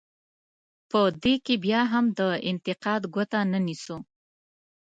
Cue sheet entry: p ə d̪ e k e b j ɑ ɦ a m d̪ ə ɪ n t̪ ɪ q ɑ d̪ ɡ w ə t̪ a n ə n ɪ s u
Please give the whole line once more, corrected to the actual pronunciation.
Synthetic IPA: p ə d̪ e k e b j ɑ ɦ a m d̪ ə ɪ n t̪ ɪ q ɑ d̪ ɡ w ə t̪ a n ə n i s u